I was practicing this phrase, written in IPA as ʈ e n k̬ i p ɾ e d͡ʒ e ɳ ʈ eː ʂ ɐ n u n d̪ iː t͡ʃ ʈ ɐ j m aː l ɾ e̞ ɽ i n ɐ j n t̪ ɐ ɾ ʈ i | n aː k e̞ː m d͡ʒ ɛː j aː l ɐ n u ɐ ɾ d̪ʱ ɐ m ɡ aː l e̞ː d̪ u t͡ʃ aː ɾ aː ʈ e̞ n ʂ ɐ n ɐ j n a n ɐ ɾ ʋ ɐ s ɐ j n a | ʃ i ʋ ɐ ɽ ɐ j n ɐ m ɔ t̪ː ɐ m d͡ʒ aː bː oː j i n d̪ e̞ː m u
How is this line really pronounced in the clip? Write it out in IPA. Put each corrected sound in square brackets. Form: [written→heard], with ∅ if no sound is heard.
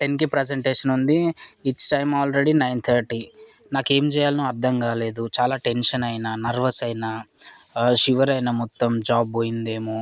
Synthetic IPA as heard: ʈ e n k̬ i p ɾ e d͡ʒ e ɳ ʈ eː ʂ ɐ n u n d̪ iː t͡ʃ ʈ ɐ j m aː l ɾ e̞ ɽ i n ɐ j n [t̪→t̪ʰ] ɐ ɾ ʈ i | n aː k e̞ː m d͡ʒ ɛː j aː l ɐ n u ɐ ɾ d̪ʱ ɐ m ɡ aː l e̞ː d̪ u t͡ʃ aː [ɾ→l] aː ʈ e̞ n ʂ ɐ n ɐ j n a n ɐ ɾ ʋ ɐ s ɐ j n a | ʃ i ʋ ɐ [ɽ→ɾ] ɐ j n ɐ m ɔ t̪ː ɐ m d͡ʒ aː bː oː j i n d̪ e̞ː m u